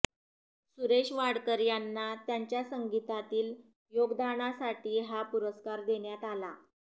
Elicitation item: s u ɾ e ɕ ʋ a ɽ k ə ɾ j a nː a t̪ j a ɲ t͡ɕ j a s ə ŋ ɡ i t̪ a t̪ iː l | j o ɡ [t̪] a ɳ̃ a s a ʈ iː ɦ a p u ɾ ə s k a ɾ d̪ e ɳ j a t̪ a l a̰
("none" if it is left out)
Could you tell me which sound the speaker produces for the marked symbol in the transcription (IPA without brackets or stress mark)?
d̪